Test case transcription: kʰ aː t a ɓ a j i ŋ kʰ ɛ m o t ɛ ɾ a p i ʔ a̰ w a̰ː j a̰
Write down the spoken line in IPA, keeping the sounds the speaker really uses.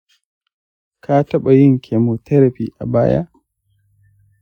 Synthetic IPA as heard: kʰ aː t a ɓ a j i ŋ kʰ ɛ m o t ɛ ɾ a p i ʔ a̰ b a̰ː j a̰